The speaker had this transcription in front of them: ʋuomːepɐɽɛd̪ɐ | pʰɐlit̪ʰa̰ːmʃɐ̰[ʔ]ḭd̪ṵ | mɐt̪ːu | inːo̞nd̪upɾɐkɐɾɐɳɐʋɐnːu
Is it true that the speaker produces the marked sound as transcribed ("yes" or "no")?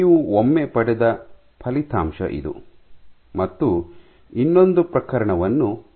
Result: yes